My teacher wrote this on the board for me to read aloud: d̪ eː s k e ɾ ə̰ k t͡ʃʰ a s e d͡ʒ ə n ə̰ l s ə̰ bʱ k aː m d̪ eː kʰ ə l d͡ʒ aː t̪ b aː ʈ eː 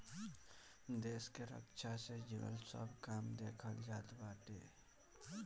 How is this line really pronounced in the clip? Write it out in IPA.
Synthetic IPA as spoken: d̪ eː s k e ɾ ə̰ k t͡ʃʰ a s e d͡ʒ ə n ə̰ l s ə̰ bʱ k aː m d̪ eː kʰ ə l d͡ʒ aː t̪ b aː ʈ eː